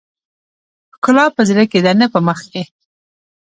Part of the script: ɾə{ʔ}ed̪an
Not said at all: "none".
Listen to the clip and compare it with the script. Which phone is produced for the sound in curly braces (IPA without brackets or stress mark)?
k